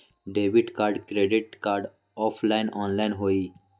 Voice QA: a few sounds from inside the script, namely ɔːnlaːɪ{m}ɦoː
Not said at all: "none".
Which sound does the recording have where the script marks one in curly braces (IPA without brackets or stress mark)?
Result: n